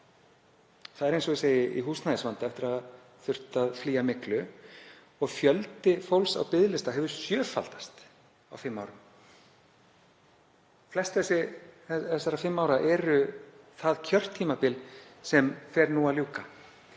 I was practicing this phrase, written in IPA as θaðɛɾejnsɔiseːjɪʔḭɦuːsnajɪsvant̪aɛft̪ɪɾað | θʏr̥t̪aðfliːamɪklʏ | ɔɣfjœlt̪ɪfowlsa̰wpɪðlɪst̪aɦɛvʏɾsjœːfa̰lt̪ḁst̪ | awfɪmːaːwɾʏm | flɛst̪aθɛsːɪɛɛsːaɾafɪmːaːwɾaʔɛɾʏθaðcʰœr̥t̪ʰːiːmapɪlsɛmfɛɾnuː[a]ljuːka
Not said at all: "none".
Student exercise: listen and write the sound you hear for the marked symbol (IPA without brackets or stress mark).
a